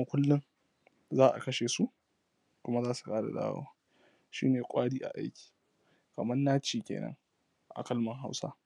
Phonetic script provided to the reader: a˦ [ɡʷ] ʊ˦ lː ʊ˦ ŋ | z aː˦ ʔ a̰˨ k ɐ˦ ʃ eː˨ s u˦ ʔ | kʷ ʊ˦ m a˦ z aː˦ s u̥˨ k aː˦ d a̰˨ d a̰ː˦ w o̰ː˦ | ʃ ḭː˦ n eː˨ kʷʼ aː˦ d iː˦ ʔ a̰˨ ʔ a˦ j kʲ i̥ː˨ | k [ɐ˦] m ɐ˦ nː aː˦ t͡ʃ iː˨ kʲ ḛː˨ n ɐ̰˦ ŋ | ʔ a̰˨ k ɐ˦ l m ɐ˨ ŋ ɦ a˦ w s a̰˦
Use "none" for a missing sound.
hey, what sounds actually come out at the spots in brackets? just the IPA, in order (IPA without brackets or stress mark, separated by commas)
kʷ, ɐ˨